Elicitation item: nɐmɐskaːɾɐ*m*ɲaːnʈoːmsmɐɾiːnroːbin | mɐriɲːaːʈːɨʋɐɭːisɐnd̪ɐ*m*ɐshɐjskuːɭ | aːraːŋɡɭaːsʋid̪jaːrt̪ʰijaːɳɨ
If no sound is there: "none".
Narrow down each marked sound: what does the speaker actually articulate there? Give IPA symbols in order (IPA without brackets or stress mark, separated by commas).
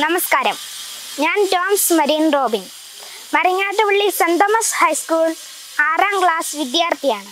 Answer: m, m